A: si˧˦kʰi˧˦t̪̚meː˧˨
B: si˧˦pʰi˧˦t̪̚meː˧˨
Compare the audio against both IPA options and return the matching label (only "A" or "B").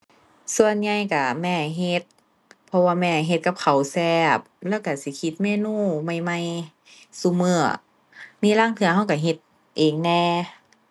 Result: A